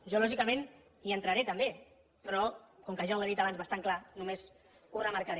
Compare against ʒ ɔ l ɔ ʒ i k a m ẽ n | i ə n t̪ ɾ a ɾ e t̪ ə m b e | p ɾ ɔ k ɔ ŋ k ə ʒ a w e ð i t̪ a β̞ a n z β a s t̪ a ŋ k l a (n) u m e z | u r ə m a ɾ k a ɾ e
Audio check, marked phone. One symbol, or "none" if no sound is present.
n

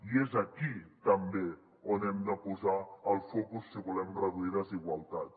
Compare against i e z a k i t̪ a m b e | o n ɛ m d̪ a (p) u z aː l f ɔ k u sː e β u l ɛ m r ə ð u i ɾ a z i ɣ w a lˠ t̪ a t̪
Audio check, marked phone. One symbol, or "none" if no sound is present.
p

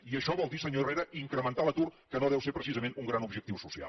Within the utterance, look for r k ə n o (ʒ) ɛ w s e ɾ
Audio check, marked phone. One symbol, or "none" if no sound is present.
ð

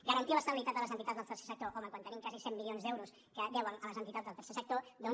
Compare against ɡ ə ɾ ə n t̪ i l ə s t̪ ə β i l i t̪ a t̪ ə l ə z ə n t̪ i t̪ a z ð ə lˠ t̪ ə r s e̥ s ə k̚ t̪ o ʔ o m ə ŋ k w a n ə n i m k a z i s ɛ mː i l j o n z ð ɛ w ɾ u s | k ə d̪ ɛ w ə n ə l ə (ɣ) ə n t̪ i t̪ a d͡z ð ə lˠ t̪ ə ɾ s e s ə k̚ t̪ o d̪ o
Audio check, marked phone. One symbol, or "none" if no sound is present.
z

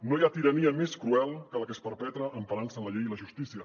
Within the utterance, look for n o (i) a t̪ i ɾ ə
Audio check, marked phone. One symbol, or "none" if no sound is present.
j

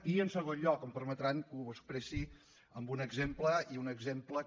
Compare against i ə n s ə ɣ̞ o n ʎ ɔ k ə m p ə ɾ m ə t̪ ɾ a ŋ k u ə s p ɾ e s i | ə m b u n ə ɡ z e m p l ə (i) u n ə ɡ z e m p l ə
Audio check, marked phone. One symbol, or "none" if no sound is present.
i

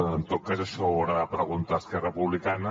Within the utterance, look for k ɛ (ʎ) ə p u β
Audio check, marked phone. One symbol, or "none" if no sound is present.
r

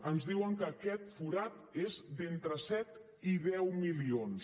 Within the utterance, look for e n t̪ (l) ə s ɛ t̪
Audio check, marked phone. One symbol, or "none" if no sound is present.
ɾ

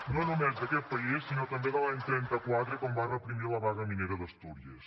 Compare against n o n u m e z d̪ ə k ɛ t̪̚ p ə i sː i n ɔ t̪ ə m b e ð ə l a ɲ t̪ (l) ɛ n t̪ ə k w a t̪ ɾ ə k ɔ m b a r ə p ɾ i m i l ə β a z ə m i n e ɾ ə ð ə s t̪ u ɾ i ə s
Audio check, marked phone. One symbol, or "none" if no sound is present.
ɾ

